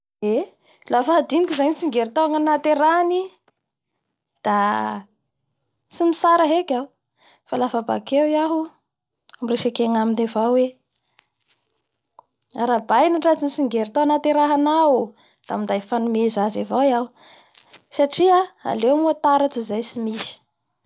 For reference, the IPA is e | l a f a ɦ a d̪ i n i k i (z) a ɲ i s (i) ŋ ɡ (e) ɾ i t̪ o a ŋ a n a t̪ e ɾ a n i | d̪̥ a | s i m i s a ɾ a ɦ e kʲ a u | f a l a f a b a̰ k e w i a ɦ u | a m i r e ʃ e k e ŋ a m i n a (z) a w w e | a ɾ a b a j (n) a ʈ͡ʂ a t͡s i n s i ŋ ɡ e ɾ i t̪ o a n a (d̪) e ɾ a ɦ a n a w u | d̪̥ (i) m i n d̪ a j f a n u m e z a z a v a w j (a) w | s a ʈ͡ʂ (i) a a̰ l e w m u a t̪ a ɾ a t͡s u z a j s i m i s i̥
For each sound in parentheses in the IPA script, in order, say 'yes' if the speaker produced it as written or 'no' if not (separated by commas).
yes, yes, yes, no, yes, no, no, yes, yes